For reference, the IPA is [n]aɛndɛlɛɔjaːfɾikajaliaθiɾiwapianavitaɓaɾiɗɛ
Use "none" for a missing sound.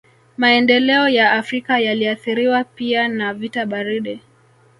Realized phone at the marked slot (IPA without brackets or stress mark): m